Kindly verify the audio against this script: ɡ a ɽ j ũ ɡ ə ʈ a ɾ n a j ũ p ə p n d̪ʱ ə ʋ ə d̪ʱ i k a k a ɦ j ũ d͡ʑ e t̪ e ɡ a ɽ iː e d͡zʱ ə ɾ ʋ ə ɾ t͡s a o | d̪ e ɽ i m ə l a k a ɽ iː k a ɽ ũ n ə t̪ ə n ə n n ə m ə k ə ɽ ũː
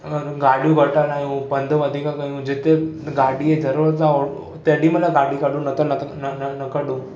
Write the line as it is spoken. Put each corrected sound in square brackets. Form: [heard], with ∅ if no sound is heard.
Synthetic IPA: ɡ a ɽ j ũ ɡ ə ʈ a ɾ n a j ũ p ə [∅] n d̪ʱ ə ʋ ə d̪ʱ i k a k a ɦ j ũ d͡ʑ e t̪ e ɡ a ɽ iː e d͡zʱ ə ɾ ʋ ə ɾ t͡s a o | [t̪] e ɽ i m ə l a [ɡ] a ɽ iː k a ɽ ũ n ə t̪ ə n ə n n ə [n] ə k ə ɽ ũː

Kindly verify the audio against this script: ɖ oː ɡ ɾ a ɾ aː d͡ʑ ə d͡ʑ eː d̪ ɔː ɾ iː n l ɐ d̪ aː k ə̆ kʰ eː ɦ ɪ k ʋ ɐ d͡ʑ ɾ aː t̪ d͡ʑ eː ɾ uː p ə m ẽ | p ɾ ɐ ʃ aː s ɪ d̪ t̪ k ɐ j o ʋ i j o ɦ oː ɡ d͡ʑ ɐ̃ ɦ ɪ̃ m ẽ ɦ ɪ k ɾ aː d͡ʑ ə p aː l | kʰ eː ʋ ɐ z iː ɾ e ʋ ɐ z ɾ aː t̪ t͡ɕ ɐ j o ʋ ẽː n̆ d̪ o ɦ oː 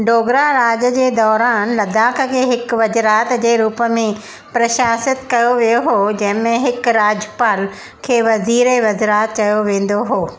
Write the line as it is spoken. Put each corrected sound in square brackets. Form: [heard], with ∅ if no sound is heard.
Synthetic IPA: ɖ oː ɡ ɾ a ɾ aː d͡ʑ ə d͡ʑ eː d̪ ɔː ɾ [aː] n l ɐ d̪ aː k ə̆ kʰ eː ɦ ɪ k ʋ ɐ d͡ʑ ɾ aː t̪ d͡ʑ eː ɾ uː p ə m ẽ | p ɾ ɐ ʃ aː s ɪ [∅] t̪ k ɐ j o ʋ i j o ɦ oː [∅] d͡ʑ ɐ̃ ɦ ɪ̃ m ẽ ɦ ɪ k ɾ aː d͡ʑ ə p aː l | kʰ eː ʋ ɐ z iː ɾ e ʋ ɐ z ɾ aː t̪ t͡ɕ ɐ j o ʋ ẽː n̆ d̪ o ɦ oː

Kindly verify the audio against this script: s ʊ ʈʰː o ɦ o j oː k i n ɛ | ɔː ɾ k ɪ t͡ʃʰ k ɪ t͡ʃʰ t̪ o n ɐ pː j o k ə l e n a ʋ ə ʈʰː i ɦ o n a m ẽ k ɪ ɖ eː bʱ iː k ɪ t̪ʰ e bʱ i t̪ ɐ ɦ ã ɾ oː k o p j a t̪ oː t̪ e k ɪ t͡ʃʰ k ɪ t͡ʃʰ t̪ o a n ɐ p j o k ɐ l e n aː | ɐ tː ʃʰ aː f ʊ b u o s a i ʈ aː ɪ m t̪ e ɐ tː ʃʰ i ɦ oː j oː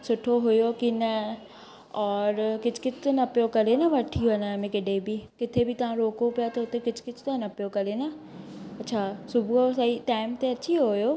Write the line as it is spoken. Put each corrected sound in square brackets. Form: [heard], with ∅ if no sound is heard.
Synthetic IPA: s ʊ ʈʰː o ɦ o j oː k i n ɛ | ɔː ɾ k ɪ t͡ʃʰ k ɪ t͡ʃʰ t̪ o n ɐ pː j o k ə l e n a ʋ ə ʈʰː i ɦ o n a m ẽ k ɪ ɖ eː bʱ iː k ɪ t̪ʰ e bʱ i t̪ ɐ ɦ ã ɾ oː k o p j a t̪ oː t̪ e k ɪ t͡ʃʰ k ɪ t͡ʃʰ t̪ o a n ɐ p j o k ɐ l e n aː | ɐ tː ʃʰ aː [s] ʊ b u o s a i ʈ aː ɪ m t̪ e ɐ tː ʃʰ i ɦ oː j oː

